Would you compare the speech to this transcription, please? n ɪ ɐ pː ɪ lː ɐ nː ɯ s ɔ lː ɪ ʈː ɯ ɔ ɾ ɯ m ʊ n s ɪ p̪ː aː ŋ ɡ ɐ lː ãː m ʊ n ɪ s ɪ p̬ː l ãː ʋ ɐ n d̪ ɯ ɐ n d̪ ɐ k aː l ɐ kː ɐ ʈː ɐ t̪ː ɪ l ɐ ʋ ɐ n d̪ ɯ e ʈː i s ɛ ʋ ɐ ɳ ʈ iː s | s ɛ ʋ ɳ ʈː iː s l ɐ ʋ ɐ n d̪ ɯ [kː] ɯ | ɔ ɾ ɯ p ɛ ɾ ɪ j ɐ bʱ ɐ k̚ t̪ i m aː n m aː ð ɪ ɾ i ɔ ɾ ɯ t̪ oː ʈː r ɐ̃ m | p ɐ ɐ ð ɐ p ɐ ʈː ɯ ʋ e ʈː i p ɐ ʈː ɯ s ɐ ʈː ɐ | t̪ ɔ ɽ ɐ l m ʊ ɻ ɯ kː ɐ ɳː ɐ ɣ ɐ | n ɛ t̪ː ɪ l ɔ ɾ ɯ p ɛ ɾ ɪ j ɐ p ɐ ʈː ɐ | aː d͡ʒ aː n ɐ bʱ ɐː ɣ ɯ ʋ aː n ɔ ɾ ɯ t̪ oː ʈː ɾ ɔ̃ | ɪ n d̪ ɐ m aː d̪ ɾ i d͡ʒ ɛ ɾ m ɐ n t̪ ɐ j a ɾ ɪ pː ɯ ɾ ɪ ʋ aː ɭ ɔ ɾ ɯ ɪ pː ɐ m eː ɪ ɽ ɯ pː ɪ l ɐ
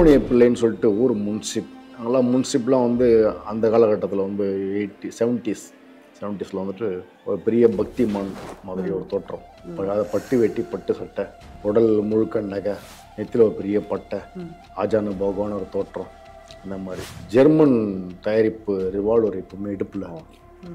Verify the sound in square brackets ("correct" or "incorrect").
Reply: incorrect